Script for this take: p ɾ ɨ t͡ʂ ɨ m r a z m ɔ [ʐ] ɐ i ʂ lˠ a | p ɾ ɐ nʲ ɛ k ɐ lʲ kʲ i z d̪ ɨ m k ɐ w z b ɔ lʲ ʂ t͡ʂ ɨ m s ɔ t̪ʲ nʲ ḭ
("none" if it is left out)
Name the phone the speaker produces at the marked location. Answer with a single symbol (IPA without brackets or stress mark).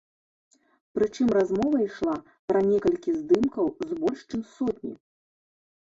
v